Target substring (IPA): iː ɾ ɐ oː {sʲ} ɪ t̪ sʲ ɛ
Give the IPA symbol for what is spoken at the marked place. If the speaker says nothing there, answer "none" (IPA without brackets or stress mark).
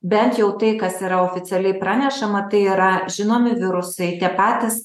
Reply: fʲ